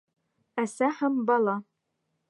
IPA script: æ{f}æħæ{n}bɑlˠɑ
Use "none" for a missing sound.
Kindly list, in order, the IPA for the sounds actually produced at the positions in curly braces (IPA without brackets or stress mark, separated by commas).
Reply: s, m